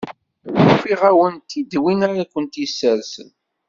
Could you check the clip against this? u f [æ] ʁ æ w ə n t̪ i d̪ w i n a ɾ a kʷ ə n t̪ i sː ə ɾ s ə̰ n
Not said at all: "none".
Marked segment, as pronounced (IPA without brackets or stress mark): i